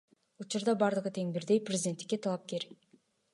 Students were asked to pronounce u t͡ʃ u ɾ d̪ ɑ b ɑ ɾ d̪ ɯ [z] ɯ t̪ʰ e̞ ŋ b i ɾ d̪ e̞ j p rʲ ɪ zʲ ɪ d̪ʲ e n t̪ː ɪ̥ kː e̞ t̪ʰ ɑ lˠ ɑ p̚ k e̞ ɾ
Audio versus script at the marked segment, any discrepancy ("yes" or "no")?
yes